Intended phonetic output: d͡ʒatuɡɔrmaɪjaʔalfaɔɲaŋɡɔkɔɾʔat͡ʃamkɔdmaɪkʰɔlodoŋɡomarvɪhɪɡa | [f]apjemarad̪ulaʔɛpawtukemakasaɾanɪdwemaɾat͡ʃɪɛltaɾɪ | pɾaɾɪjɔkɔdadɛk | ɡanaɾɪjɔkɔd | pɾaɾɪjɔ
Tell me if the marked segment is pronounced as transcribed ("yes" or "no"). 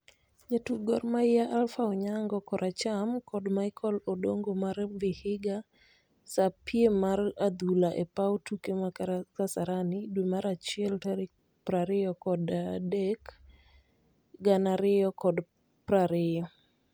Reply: no